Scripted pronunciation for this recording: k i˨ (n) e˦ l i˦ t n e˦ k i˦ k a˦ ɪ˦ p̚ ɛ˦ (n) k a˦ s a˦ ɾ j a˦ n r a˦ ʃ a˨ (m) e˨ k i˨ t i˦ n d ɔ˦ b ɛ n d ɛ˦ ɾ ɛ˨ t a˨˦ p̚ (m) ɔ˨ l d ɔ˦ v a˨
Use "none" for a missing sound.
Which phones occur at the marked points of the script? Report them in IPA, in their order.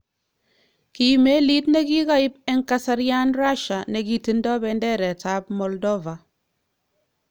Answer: m, ŋ, n, m

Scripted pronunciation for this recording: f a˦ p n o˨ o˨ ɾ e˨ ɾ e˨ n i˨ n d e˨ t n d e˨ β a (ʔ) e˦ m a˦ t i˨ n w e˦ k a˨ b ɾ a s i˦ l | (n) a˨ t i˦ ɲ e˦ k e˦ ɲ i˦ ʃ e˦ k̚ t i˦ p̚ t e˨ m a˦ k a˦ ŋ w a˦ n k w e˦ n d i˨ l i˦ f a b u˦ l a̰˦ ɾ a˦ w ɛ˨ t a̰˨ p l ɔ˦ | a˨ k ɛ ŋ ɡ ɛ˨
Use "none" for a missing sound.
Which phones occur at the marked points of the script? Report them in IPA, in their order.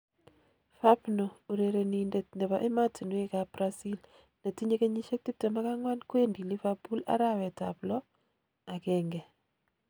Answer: ʔ, n

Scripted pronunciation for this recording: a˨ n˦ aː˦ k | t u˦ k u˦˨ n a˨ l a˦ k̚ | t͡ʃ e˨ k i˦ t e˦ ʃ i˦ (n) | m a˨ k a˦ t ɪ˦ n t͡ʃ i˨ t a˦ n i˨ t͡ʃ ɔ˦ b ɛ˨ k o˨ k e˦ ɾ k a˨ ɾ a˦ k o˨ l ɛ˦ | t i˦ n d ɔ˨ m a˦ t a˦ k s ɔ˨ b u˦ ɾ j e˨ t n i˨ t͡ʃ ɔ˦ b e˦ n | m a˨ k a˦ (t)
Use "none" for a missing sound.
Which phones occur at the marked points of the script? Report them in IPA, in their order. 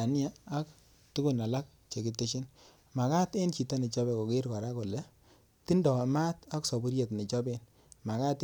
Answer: n, t

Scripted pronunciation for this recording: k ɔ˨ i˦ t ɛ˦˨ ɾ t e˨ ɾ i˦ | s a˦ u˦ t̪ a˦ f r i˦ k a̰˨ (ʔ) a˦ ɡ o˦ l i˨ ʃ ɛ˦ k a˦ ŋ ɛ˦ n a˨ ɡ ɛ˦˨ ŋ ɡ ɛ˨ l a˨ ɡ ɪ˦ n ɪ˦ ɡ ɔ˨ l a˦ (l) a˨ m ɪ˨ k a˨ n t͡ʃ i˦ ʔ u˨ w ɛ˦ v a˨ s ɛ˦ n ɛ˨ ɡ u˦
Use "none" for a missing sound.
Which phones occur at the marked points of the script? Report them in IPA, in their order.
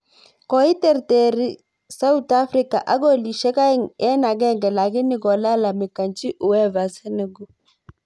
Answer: ʔ, l

